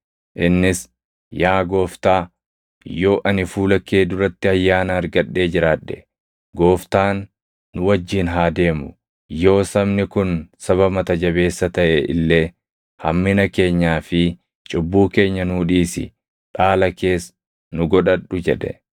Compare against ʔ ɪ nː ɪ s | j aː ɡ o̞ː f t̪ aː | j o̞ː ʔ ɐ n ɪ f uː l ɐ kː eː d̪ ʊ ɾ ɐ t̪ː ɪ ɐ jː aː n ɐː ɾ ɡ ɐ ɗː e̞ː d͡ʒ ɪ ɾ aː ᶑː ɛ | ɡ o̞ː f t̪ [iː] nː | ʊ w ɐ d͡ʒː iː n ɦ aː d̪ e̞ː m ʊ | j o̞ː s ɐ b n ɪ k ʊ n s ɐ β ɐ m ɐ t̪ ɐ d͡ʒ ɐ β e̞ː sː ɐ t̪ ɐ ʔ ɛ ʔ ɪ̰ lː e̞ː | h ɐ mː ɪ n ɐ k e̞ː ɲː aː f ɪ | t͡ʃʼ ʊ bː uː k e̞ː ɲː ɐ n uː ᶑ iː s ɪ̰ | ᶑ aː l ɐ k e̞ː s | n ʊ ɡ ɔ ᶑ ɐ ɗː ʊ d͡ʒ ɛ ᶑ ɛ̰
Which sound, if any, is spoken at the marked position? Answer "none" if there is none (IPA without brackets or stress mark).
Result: aː